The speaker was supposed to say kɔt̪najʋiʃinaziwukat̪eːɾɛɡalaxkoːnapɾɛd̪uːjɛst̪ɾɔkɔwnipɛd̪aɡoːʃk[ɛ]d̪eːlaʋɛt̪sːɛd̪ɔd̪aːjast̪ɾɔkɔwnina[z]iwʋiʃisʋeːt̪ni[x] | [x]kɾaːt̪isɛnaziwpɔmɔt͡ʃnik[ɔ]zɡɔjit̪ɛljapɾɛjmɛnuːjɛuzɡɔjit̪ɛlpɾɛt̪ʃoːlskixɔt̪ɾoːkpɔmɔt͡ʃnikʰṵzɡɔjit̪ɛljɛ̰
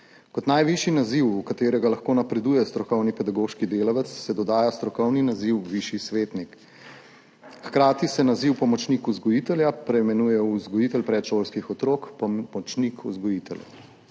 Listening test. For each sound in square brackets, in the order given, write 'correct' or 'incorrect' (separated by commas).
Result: incorrect, correct, incorrect, correct, incorrect